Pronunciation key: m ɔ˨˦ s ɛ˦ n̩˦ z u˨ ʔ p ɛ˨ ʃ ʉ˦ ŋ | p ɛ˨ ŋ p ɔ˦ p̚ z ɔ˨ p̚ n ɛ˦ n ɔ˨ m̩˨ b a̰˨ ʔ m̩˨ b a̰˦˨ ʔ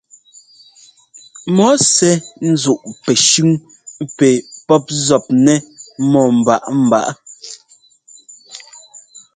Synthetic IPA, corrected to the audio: m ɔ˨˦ s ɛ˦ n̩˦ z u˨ ʔ p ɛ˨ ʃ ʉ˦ ŋ | p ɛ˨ p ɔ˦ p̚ z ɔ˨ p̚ n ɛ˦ m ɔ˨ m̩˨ b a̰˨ ʔ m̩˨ b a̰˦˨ ʔ